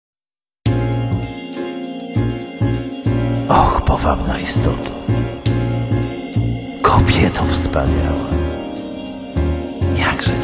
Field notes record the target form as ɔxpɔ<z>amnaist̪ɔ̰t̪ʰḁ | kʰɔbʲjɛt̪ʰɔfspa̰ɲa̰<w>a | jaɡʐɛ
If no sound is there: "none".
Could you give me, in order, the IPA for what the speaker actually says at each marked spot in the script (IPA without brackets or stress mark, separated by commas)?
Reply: v, w